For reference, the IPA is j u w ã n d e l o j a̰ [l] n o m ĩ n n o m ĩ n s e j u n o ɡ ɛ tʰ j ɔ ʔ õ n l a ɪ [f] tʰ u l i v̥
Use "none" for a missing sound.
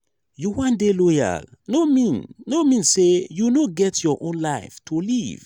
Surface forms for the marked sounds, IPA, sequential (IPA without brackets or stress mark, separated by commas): l, f